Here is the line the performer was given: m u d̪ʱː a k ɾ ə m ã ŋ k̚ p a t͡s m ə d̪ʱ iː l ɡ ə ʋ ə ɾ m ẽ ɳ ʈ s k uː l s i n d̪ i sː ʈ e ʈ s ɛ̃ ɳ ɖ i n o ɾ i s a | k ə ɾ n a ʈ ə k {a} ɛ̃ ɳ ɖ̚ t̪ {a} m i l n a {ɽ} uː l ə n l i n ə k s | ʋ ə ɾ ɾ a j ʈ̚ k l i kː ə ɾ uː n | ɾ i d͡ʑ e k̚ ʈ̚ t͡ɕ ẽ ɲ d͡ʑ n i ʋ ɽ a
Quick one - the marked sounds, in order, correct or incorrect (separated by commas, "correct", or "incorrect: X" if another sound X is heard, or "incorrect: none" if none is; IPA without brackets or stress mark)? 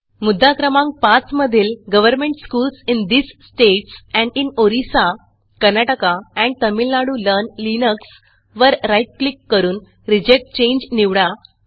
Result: correct, incorrect: ə, correct